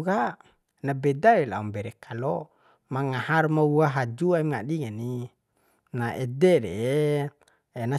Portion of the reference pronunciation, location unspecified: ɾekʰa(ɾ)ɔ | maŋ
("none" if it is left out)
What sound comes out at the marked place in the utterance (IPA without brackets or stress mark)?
l